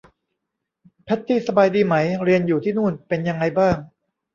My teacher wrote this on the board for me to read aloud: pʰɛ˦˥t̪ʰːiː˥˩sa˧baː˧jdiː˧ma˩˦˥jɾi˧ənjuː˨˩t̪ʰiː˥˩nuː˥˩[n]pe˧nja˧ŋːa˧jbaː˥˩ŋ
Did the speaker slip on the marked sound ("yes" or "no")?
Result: no